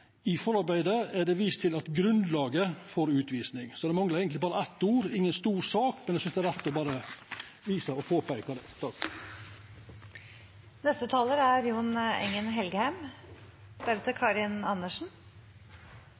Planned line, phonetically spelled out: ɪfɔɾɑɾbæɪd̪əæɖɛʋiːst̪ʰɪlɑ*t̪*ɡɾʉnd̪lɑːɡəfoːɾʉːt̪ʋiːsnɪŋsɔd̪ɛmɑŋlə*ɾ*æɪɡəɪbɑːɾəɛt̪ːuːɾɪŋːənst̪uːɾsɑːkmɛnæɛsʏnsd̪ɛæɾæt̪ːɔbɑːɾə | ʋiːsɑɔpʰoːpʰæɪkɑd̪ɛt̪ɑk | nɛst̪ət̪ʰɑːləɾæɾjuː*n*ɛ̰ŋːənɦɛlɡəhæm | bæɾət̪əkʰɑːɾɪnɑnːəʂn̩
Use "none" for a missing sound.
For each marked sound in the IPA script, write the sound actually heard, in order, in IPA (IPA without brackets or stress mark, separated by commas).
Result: t̪, ɾ, n